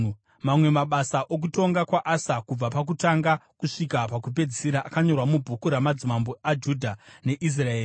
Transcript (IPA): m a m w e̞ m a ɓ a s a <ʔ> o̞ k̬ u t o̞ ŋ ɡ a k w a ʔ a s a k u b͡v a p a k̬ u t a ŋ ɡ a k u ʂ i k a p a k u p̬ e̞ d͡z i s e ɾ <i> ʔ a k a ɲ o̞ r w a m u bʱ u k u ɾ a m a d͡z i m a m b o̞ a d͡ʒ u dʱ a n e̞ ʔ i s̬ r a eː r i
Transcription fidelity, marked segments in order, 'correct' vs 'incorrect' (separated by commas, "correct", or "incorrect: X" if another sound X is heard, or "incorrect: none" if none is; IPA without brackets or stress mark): correct, incorrect: a